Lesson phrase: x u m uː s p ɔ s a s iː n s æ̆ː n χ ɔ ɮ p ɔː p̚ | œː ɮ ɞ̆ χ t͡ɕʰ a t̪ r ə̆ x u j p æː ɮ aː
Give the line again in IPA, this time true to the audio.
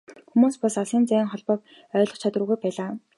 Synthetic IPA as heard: x u m uː s p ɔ s a s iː n t͡s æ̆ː ŋ χ ɔ ɮ p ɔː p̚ | œː ɮ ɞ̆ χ t͡ɕʰ a t̪ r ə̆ ɣ u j p æː ɮ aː